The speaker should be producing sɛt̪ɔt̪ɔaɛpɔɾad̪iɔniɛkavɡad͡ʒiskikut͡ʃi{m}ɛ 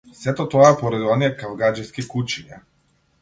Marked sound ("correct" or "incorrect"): incorrect